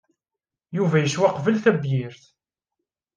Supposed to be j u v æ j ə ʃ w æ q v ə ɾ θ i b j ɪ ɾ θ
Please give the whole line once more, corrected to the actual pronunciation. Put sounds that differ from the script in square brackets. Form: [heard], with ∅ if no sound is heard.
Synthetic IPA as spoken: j u v æ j ə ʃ w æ q v ə [l] θ [æ] b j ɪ ɾ θ